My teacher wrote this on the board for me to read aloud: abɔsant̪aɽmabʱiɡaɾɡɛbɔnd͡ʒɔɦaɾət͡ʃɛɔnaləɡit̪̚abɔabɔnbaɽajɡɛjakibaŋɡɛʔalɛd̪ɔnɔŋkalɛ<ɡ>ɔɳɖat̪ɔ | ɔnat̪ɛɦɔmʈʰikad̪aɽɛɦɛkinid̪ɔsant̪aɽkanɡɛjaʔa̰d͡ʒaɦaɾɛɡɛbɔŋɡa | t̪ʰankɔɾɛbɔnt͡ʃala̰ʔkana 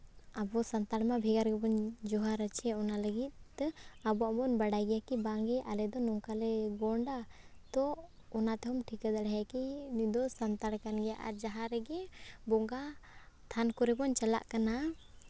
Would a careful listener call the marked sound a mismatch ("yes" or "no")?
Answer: no